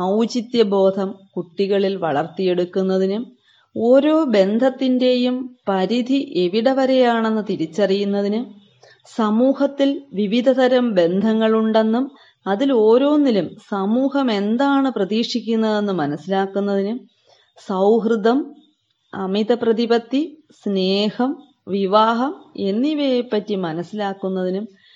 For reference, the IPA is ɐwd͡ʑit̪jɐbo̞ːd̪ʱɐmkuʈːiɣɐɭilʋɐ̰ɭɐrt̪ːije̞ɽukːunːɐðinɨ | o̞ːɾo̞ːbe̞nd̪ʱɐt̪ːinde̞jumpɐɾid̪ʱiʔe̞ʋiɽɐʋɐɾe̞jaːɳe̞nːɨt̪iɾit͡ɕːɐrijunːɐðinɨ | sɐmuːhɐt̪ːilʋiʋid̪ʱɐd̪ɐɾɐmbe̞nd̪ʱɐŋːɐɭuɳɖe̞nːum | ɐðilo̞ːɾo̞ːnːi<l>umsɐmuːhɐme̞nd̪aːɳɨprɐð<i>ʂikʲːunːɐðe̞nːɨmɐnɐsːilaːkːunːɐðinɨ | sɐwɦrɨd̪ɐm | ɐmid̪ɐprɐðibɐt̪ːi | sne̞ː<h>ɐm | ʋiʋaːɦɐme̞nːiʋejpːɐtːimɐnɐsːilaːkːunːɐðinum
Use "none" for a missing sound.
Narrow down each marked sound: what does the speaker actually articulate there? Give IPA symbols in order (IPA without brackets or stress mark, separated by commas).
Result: l, iː, h